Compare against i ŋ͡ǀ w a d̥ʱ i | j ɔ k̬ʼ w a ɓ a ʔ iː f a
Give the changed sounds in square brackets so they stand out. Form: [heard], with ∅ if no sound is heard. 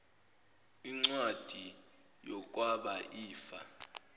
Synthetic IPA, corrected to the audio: i ŋ͡ǀ w a d̥ʱ i | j ɔ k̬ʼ w a ɓ a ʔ iː f a